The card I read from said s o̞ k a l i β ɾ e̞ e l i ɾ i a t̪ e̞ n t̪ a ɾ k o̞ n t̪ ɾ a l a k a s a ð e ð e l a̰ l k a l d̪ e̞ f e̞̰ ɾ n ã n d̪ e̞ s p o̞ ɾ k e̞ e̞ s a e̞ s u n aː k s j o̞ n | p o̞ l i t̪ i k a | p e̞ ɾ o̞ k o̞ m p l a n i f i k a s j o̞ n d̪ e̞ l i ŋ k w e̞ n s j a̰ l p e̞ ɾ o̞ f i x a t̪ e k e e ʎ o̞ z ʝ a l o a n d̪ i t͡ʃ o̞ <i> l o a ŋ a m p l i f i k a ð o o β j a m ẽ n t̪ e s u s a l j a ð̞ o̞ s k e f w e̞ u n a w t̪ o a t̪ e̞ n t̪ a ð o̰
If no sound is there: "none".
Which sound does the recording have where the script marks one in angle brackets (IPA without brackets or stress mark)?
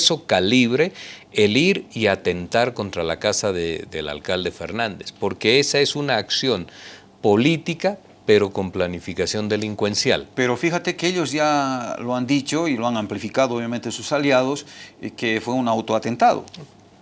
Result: i